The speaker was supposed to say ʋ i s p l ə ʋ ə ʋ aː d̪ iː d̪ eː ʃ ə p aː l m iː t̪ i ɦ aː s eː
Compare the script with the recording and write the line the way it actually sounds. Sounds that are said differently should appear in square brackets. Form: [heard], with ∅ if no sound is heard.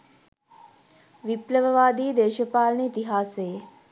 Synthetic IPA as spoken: ʋ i [∅] p l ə ʋ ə ʋ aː d̪ iː d̪ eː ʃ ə p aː l [n] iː t̪ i ɦ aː s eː